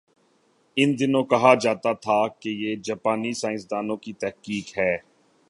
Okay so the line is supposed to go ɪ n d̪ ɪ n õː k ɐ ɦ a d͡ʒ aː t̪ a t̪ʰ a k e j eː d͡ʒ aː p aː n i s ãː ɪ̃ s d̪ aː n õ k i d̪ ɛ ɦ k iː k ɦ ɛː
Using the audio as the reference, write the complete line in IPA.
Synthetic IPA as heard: ɪ n d̪ ɪ n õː k ɐ ɦ a d͡ʒ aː t̪ a t̪ʰ a k e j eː d͡ʒ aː p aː n i s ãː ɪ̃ s d̪ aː n õ k i t̪ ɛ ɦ k iː k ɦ ɛː